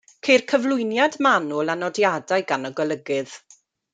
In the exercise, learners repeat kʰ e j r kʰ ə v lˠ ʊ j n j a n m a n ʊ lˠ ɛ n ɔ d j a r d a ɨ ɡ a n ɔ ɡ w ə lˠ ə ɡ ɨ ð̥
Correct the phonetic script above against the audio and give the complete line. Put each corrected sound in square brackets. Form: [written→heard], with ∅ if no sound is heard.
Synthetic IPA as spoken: kʰ e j r kʰ ə v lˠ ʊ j n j a [n→d] m a n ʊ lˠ [ɛ→a] n ɔ d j a [r→∅] d a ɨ ɡ a n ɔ ɡ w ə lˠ ə ɡ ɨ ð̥